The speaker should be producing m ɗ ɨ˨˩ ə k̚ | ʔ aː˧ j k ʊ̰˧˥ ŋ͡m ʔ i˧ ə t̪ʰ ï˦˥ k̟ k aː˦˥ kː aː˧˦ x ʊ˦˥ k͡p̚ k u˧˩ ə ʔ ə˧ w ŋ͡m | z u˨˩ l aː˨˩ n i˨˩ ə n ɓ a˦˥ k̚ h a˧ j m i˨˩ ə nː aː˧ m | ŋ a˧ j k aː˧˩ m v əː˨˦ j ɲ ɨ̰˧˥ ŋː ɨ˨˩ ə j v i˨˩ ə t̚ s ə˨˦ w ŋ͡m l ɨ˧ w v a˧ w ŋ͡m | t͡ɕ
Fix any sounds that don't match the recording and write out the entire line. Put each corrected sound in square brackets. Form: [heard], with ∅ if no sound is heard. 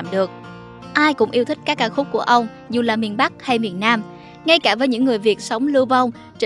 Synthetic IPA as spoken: m ɗ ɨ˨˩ ə k̚ | ʔ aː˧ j k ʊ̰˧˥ ŋ͡m ʔ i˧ ə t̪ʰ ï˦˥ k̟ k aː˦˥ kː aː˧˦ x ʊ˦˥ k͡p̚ k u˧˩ ə ʔ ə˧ w ŋ͡m | z u˨˩ l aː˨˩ [m] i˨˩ ə n ɓ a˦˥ k̚ h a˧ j m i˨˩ ə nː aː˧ m | ŋ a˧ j k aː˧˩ [∅] v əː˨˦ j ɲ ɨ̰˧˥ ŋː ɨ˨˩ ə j v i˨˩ ə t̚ s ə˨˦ w ŋ͡m l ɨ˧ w v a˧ w ŋ͡m | t͡ɕ